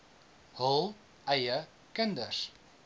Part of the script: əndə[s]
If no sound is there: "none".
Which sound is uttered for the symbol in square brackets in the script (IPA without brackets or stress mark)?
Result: s